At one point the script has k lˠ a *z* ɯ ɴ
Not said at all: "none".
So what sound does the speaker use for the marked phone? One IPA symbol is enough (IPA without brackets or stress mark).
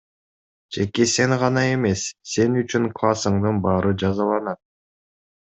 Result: s